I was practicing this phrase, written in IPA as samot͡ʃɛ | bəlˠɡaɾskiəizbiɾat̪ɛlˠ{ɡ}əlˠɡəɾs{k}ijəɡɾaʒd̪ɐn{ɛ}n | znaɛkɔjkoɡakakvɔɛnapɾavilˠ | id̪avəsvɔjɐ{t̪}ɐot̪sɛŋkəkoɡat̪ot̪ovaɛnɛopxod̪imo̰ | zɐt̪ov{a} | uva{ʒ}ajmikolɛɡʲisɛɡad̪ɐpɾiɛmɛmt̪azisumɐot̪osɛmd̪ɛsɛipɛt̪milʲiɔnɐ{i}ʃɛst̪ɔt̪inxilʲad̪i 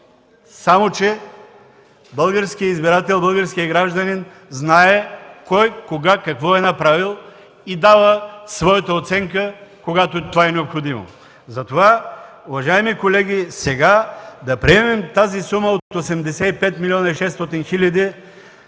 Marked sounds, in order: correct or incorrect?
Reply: incorrect, correct, incorrect, correct, correct, correct, correct

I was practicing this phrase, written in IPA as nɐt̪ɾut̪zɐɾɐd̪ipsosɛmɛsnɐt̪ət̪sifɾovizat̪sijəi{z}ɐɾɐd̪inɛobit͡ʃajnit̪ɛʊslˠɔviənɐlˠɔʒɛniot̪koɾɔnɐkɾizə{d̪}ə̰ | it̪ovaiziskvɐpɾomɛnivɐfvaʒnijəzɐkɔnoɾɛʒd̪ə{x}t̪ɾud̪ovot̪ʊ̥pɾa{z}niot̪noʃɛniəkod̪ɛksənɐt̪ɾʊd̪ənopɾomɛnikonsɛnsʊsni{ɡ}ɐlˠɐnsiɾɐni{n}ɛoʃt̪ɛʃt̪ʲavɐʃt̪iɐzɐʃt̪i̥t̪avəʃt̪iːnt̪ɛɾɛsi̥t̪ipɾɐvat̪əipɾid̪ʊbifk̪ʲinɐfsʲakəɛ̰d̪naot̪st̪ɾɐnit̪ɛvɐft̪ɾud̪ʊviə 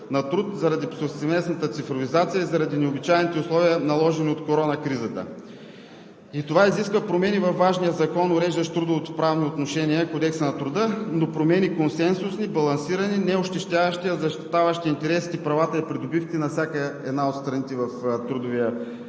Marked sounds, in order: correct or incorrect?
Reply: correct, incorrect, incorrect, incorrect, incorrect, correct

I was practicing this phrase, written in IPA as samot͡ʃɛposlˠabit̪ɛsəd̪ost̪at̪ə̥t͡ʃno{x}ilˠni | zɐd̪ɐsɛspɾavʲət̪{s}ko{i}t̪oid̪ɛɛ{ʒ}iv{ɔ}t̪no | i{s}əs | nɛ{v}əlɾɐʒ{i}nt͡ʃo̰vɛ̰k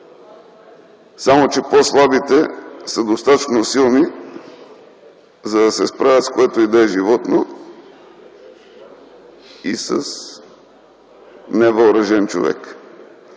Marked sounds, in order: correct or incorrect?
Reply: incorrect, correct, incorrect, correct, correct, correct, correct, incorrect

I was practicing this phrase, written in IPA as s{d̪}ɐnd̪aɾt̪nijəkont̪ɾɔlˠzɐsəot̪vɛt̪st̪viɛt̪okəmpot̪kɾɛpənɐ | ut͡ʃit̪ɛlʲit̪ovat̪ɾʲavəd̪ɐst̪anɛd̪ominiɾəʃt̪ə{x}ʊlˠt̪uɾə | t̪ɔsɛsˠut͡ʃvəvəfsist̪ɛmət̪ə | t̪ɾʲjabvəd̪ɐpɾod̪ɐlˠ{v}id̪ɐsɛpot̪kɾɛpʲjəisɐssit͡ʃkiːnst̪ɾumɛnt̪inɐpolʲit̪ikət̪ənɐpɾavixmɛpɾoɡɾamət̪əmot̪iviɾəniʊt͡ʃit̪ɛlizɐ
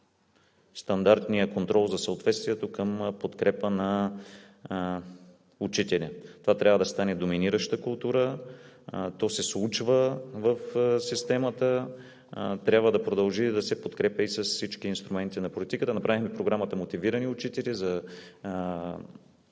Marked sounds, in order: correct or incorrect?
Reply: incorrect, incorrect, incorrect

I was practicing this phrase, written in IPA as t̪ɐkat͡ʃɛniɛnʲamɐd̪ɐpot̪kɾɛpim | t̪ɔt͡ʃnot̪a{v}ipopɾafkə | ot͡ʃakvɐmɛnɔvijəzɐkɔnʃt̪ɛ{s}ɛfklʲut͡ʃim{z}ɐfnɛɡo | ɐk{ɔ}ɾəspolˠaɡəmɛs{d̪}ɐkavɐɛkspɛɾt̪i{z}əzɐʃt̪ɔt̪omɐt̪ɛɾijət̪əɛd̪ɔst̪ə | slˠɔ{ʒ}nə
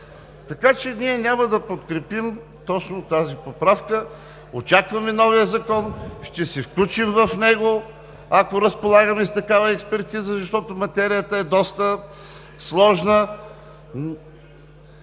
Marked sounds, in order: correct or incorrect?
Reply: incorrect, correct, incorrect, incorrect, incorrect, correct, correct

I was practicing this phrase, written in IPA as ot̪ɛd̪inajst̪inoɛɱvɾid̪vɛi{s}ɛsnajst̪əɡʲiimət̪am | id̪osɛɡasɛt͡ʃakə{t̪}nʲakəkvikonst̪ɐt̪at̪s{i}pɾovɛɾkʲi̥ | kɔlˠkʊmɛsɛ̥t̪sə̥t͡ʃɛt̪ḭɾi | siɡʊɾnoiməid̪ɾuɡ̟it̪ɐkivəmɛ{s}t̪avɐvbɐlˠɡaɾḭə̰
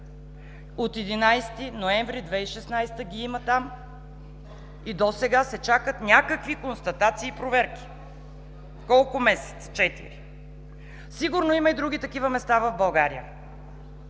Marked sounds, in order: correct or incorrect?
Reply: incorrect, correct, incorrect, correct

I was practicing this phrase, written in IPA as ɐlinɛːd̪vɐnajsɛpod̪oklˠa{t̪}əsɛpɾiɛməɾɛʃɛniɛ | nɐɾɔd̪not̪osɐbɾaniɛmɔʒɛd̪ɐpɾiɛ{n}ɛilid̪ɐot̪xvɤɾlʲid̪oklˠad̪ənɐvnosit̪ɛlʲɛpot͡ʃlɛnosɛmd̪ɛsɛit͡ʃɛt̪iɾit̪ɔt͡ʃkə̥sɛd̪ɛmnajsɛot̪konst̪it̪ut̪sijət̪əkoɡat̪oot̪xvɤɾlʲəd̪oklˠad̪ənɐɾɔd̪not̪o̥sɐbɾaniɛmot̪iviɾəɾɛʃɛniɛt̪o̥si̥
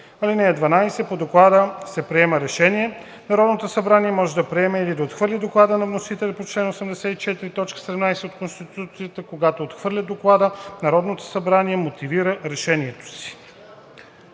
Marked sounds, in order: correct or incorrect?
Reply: incorrect, incorrect

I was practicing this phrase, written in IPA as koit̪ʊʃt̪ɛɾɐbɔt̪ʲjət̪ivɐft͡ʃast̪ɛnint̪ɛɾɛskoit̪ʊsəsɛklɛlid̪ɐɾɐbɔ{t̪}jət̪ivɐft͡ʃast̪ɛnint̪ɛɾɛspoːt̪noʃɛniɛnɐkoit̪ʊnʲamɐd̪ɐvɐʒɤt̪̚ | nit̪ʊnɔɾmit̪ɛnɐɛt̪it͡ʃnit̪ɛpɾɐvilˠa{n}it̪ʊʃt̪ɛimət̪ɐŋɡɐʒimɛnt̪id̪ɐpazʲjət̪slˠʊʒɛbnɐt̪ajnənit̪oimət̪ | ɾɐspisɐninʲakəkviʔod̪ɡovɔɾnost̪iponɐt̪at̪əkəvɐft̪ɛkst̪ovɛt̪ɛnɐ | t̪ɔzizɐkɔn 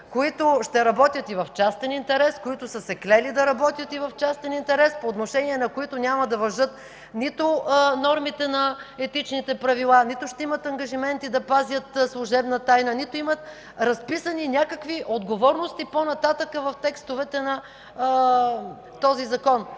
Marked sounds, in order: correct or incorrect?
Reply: correct, correct

